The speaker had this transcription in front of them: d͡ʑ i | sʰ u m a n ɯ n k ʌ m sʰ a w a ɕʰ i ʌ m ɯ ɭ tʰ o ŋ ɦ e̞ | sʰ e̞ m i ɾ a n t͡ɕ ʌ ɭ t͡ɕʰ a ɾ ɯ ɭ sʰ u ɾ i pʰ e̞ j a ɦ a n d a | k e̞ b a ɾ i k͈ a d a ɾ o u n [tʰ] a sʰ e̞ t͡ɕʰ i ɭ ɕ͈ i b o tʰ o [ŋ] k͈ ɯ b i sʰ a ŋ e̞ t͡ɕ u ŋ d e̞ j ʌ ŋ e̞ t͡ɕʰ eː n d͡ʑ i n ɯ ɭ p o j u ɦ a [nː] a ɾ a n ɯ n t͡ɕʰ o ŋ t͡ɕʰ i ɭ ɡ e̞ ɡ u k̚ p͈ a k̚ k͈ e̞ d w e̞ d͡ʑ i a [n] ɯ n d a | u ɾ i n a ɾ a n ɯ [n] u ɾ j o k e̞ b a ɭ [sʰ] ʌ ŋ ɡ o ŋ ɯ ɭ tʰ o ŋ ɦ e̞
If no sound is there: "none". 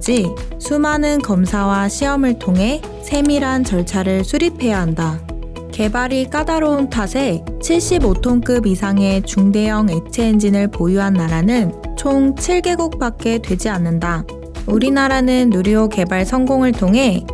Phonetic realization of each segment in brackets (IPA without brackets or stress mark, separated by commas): tʰ, ŋ, nː, nː, nː, sʰ